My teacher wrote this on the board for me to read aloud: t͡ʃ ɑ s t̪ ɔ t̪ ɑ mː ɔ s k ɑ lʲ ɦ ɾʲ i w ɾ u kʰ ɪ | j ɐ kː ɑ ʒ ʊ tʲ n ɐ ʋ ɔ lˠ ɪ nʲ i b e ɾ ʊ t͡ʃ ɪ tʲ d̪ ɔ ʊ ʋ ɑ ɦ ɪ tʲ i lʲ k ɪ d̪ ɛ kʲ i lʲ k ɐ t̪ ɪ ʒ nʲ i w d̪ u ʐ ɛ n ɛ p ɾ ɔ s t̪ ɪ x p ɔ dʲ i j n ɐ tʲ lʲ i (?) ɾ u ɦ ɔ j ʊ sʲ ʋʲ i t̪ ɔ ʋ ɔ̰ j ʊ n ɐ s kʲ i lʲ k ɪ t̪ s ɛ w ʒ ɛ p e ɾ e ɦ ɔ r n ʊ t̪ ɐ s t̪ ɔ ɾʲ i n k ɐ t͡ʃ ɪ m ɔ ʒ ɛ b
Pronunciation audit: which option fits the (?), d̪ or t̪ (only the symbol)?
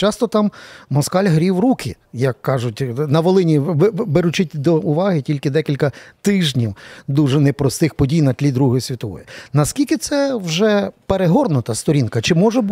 d̪